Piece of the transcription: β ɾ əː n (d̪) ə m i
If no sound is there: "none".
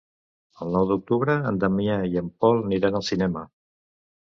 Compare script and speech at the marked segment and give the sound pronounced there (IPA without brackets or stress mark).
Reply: d̪